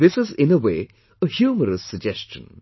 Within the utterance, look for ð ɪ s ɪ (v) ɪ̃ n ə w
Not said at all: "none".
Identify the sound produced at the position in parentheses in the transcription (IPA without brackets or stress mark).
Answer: z